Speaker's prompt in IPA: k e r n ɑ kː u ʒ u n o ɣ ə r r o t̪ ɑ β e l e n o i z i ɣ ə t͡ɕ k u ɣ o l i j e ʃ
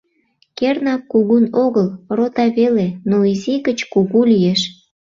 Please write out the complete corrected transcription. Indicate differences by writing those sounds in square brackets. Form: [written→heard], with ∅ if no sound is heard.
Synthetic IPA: k e r n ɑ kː u [ʒ→ɣ] u n o ɣ ə [r→l] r o t̪ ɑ β e l e n o i z i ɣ ə t͡ɕ k u ɣ [o→u] l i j e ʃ